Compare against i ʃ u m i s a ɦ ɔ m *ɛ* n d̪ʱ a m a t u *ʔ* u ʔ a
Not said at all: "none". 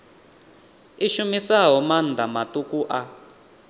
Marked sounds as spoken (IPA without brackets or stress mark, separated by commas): a, k